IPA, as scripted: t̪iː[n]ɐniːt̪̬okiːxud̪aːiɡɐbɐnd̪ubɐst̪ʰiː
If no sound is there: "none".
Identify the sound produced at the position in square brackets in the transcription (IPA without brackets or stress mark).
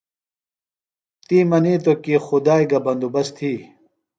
m